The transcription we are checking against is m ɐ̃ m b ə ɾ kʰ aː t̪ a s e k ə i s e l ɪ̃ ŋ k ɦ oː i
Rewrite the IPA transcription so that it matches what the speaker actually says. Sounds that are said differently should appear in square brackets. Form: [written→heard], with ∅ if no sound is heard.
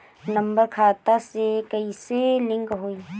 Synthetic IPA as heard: [m→n] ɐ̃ m b ə ɾ kʰ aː t̪ a s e k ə i s e l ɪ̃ ŋ k ɦ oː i